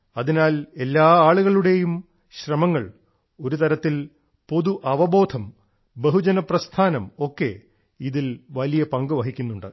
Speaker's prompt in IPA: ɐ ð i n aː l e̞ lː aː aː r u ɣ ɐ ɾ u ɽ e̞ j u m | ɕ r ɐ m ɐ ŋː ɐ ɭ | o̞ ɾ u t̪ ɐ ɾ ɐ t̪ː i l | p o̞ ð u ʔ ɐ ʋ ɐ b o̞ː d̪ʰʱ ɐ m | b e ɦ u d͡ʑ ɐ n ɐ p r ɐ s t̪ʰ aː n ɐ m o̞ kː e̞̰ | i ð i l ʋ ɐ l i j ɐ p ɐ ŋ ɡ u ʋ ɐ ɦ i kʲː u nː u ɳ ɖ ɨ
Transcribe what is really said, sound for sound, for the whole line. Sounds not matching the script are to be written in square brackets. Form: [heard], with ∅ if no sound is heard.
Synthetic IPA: ɐ ð i n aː l e̞ lː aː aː [ɭ] u ɣ ɐ [ɭ] u ɽ e̞ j u m | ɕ r ɐ m ɐ ŋː ɐ ɭ | o̞ ɾ u t̪ ɐ ɾ ɐ t̪ː i l | p o̞ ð u ʔ ɐ ʋ ɐ b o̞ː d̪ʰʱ ɐ m | b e ɦ u d͡ʑ ɐ n ɐ p r ɐ s t̪ʰ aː n ɐ m o̞ kː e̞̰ | i ð i l ʋ ɐ l i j ɐ p ɐ ŋ ɡ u ʋ ɐ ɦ i kʲː u nː u ɳ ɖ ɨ